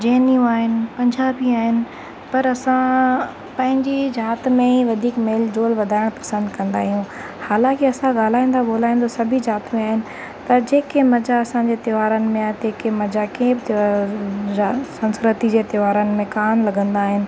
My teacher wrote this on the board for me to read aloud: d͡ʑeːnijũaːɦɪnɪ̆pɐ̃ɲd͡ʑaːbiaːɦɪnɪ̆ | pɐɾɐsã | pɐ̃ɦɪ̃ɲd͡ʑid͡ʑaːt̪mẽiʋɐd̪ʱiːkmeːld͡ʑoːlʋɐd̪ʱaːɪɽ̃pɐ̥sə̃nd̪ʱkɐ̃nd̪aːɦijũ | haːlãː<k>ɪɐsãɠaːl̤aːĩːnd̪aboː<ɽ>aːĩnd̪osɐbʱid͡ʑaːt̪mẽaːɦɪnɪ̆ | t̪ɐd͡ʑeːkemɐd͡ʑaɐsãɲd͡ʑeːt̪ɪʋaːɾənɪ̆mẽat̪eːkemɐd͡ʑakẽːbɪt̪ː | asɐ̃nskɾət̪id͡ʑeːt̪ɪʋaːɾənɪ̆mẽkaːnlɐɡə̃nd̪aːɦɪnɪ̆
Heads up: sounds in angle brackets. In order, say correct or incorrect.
correct, incorrect

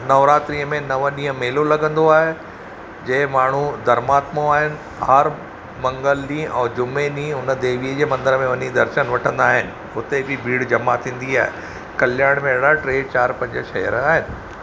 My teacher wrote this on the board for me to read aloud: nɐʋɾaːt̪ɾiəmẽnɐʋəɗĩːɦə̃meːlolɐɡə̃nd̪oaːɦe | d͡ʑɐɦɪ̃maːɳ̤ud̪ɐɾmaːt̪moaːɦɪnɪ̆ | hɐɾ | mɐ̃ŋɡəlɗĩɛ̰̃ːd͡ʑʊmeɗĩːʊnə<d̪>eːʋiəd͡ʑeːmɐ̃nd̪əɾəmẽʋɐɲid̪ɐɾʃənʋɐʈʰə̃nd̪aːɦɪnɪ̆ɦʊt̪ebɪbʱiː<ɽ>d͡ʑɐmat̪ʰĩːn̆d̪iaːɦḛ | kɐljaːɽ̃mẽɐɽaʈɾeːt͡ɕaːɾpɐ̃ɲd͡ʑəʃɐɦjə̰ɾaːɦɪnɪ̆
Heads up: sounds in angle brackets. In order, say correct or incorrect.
correct, correct

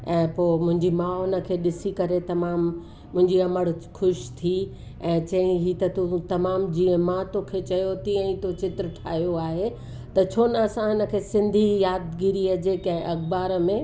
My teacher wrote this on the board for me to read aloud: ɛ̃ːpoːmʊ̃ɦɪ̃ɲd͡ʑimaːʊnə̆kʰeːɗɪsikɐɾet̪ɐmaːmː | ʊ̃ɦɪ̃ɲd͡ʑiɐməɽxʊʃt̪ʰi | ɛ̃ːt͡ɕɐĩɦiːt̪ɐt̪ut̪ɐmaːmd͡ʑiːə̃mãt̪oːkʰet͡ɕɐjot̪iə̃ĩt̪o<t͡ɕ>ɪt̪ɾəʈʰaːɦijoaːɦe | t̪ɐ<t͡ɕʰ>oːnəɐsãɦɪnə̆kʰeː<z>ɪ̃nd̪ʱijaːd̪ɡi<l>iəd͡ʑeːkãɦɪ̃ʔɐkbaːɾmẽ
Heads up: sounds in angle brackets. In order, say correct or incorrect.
correct, correct, incorrect, incorrect

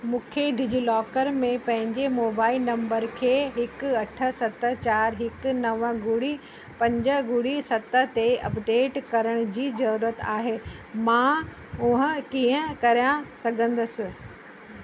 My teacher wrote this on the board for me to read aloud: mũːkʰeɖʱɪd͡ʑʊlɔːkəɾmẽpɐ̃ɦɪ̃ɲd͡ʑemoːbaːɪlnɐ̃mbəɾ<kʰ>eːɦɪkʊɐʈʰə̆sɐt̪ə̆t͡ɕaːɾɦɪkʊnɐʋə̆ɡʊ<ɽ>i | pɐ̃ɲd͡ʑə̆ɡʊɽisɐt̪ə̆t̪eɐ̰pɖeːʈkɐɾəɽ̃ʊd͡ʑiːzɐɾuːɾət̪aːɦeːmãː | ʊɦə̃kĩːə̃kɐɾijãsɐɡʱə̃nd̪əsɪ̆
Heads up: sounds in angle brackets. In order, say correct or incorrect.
correct, correct

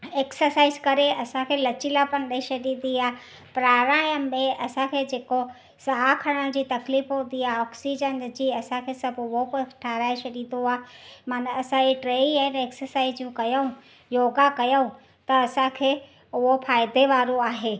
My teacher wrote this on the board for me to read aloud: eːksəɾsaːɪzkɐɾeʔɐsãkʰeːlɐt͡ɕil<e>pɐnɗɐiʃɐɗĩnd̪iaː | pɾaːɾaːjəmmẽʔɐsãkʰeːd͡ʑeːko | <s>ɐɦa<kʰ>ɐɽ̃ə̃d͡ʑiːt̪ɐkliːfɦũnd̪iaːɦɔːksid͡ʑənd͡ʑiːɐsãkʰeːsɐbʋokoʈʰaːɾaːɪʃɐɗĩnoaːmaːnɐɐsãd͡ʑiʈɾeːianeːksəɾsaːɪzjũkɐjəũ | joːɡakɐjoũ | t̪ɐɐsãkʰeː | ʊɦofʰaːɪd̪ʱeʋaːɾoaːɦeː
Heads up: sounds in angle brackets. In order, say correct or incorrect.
incorrect, correct, correct

